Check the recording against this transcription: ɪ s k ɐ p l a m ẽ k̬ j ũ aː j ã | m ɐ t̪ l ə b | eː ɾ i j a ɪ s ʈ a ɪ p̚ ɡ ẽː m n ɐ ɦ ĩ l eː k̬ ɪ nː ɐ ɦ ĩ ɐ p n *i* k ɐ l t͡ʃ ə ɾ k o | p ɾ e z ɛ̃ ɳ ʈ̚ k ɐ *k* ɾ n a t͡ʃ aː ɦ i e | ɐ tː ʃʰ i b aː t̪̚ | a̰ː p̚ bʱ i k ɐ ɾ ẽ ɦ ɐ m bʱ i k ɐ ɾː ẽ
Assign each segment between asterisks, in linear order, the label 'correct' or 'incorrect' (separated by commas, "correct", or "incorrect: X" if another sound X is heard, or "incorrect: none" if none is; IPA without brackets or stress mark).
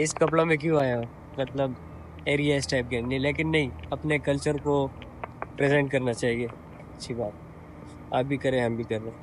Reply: incorrect: e, incorrect: none